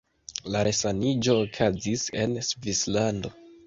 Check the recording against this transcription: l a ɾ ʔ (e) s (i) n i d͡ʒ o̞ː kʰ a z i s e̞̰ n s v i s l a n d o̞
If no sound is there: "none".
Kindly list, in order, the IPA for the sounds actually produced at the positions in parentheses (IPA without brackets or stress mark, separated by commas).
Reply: e, a